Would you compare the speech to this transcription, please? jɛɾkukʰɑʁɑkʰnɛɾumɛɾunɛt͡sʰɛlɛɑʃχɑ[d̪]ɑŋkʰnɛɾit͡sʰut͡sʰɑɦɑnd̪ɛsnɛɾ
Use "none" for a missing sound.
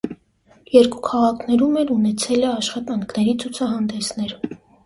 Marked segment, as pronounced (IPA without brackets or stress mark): t̪